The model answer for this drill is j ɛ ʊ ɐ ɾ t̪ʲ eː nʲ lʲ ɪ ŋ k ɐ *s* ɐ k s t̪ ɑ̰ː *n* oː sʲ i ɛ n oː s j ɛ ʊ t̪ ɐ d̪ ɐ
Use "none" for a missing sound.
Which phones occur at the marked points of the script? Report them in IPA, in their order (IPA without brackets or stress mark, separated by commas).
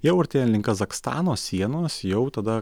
z, n